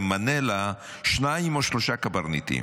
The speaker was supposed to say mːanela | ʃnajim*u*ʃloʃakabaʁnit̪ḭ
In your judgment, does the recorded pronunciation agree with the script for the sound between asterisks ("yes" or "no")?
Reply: no